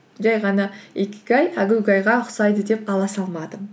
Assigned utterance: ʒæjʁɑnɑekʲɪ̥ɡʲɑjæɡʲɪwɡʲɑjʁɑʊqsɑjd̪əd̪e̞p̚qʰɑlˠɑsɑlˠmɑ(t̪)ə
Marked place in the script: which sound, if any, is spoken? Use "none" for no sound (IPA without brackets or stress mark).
d̪